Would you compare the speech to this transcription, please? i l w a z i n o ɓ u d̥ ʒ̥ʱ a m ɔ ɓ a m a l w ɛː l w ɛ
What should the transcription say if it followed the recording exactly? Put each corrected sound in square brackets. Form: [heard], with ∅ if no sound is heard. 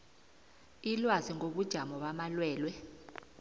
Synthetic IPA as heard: i l w a z i [ŋ] o ɓ u d̥ ʒ̥ʱ a m ɔ ɓ a m a l w ɛː l w ɛ